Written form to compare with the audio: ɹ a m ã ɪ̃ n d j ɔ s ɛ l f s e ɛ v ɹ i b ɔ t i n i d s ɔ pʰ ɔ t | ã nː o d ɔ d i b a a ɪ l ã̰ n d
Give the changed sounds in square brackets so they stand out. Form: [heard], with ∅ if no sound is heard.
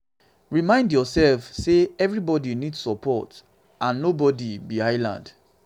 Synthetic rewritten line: ɹ [i] m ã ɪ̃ n d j ɔ s ɛ l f s e ɛ v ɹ i b ɔ [d] i n i d s ɔ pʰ ɔ t | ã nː o [b] ɔ d i b [i] a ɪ l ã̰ n d